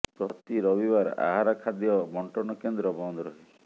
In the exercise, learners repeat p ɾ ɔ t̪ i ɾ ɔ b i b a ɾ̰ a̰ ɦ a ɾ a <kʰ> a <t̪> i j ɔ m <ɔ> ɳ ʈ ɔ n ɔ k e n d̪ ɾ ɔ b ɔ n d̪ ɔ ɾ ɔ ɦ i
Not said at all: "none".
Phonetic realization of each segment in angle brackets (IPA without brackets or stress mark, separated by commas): kʰ, d̪, ɔ